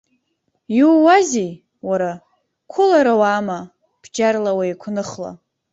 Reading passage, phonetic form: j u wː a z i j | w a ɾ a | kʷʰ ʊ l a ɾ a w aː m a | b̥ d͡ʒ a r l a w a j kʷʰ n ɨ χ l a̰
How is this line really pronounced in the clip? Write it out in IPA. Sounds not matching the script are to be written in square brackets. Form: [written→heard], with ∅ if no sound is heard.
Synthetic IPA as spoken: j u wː a z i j | w a ɾ a | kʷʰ ʊ l a ɾ a w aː m a | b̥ d͡ʒ a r l a w a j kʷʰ n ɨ χ l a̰